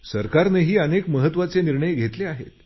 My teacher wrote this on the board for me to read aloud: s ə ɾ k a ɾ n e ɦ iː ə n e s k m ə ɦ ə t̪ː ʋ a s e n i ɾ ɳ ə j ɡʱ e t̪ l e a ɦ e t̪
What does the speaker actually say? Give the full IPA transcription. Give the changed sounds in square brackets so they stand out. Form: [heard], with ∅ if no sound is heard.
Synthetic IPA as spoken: s ə ɾ k a ɾ n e ɦ iː ə n e [∅] k m ə ɦ ə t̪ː ʋ a [t͡s] e n i ɾ ɳ ə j ɡʱ e t̪ l e a ɦ e t̪